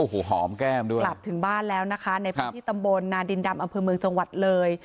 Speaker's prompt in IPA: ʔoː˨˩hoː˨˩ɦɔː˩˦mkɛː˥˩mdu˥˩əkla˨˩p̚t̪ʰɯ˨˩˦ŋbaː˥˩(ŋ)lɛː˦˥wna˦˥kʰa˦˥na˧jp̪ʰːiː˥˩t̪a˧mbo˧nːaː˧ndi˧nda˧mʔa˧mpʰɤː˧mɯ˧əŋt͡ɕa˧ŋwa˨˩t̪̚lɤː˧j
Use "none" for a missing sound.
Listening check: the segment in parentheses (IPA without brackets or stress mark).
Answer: n